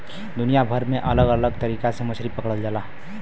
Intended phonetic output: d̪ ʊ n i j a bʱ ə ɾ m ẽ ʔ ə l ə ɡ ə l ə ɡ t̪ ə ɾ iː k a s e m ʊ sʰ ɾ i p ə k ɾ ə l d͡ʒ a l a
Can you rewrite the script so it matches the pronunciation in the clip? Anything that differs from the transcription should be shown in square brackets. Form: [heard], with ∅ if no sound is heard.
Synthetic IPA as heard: d̪ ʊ n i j a bʱ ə ɾ m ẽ ʔ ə l ə ɡ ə l ə ɡ t̪ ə ɾ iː k a s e m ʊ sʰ ɾ i p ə k [ɽ] ə l d͡ʒ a l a